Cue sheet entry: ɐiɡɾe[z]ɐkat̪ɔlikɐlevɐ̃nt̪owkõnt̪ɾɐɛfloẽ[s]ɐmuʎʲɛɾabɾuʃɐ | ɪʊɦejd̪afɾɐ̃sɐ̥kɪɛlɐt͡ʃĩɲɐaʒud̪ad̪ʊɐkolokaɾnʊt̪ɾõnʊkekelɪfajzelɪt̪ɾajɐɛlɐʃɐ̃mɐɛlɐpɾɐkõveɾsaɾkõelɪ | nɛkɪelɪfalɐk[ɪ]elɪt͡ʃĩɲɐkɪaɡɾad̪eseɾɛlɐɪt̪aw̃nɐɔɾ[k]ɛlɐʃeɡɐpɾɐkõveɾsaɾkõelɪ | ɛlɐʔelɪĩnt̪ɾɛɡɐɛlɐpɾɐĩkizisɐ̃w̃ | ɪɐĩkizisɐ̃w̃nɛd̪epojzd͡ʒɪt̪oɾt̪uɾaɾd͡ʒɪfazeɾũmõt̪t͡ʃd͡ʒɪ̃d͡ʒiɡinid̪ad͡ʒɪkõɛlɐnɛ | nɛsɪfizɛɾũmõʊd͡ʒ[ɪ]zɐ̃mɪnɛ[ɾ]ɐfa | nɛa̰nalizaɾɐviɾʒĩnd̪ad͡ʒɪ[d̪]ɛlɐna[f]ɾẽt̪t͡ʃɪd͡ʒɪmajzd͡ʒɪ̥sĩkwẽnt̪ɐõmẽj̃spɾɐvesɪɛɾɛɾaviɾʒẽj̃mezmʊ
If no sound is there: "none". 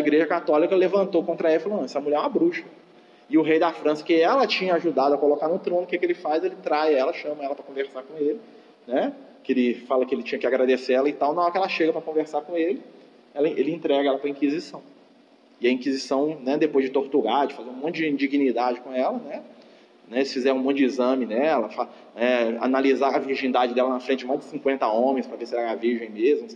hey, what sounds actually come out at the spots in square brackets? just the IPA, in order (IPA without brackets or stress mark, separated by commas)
ʒ, s, ɪ, k, i, l, d̪, f